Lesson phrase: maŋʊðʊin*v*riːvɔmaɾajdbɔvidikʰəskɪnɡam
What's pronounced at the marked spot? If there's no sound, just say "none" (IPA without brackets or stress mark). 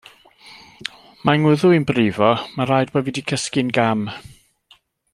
b